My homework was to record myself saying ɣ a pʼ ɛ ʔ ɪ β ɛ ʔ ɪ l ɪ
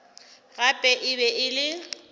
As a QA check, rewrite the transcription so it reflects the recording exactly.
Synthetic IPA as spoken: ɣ a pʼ ɛ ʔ ɪ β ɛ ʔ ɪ l ɪ